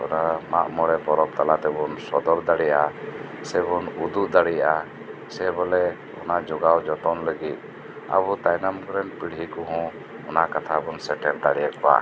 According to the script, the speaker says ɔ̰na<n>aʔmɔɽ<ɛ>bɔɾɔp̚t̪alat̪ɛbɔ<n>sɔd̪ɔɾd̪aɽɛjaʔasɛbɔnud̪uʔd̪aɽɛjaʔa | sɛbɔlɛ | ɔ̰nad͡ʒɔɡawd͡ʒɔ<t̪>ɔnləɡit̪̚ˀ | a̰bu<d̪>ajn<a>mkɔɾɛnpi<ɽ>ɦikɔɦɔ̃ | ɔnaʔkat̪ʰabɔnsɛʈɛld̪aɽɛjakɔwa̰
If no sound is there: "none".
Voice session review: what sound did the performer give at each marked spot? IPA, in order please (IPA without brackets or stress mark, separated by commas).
m, ɛ, n, t̪, t̪, a, ɽ